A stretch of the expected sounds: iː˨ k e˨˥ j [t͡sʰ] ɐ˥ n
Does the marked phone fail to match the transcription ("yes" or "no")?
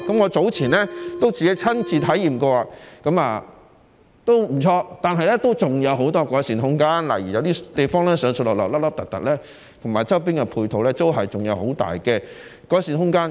no